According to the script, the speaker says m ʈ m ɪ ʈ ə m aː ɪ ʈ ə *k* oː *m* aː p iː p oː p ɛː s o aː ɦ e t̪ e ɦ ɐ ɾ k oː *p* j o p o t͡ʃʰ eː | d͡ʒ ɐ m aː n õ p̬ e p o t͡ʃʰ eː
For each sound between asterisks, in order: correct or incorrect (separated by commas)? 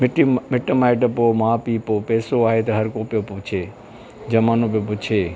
incorrect, correct, correct